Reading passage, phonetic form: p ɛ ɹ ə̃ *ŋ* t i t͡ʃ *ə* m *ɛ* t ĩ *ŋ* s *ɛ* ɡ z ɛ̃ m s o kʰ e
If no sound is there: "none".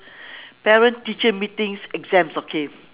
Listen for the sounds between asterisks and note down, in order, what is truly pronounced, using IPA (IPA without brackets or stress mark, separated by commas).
n, ə, i, ŋ, ɛ